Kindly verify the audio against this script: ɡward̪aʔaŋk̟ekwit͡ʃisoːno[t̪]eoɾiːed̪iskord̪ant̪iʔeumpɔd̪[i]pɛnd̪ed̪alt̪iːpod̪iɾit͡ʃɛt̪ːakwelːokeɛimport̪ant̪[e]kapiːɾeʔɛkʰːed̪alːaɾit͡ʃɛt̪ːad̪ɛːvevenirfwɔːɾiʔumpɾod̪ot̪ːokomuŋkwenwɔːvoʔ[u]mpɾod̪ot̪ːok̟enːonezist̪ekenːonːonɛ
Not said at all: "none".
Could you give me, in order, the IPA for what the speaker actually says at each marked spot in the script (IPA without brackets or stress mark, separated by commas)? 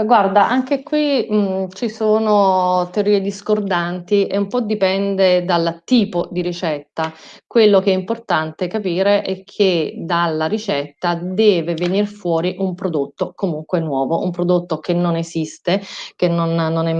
t̪, i, e, u